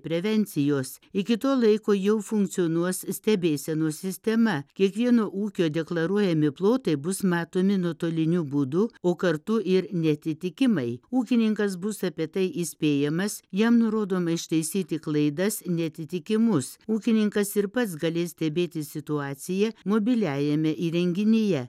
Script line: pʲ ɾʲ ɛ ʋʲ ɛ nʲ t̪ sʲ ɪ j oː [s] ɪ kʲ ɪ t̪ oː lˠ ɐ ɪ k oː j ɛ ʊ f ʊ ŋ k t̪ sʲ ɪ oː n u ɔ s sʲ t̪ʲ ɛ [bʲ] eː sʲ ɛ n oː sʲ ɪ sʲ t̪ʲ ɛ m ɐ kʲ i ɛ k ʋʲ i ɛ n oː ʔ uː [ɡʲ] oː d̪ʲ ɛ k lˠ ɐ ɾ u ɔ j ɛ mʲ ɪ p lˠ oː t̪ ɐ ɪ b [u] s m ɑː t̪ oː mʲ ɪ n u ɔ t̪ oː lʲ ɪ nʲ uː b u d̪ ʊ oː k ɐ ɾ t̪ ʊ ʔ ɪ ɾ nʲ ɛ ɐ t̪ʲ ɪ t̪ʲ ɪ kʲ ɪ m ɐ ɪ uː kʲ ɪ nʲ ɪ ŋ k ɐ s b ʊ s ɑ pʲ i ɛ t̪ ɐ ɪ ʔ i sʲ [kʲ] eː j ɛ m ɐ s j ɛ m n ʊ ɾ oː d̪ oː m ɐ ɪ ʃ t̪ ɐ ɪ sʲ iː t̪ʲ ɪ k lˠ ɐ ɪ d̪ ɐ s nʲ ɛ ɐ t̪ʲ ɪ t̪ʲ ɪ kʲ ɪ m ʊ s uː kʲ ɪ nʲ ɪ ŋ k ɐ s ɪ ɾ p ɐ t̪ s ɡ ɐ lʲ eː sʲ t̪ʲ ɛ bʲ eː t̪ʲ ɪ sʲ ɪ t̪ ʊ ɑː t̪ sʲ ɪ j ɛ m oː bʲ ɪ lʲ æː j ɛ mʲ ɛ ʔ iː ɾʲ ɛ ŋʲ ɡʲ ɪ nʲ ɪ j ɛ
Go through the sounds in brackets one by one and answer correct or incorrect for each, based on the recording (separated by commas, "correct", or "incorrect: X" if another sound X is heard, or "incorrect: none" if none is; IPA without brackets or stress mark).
correct, correct, incorrect: kʲ, incorrect: ʊ, incorrect: pʲ